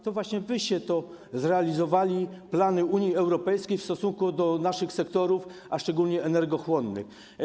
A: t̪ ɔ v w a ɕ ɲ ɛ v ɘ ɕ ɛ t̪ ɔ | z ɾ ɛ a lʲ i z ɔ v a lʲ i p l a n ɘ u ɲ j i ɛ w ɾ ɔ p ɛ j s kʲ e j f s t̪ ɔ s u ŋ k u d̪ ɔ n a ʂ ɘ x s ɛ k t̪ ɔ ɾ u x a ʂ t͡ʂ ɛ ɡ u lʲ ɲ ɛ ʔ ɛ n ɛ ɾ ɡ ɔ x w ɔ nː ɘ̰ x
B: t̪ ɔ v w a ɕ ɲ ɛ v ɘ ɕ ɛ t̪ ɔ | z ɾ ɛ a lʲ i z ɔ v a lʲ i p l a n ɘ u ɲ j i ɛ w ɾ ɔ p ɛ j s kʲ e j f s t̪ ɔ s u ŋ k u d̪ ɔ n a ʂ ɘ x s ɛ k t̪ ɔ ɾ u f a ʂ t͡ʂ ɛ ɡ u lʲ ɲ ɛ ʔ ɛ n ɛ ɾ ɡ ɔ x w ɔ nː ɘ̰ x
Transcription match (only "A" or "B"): B